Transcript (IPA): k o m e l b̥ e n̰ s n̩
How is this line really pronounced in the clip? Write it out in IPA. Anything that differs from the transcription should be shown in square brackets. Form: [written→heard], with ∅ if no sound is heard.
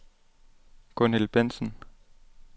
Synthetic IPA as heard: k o [m→n] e l b̥ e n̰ s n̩